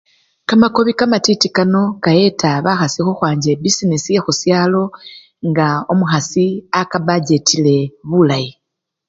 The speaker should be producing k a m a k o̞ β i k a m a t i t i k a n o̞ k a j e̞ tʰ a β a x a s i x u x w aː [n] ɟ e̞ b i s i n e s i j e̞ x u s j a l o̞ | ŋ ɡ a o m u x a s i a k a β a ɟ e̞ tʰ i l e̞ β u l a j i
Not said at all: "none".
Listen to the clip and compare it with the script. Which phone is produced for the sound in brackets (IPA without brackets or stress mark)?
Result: ɲ